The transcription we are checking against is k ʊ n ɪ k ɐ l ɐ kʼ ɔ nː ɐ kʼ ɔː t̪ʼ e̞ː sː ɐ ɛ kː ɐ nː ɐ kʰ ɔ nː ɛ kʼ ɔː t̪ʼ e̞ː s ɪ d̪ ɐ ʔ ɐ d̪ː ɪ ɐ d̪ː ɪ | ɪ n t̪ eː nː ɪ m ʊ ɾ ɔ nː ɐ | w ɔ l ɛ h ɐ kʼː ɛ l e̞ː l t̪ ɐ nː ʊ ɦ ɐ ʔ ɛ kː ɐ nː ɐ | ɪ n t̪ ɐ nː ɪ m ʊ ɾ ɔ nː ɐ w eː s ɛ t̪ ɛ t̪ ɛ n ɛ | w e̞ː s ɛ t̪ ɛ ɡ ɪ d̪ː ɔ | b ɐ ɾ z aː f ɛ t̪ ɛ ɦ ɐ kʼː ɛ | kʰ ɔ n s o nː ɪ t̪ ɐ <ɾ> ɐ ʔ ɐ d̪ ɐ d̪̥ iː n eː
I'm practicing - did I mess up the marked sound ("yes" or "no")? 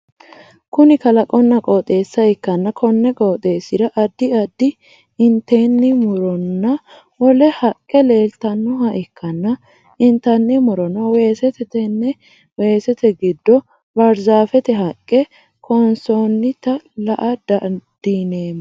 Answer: yes